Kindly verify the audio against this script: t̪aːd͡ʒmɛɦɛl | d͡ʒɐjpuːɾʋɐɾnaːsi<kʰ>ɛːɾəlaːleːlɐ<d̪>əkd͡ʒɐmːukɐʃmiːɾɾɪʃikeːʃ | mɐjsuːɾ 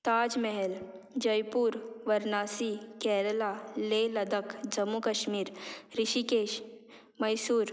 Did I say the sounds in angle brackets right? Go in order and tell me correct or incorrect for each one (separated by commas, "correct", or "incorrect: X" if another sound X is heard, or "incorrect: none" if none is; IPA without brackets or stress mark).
incorrect: k, correct